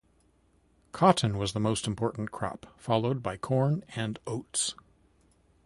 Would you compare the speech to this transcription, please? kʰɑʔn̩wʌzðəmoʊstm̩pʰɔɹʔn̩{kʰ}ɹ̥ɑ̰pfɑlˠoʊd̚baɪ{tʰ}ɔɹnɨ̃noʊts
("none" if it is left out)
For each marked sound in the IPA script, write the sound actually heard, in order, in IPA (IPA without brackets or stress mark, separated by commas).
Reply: kʰ, kʰ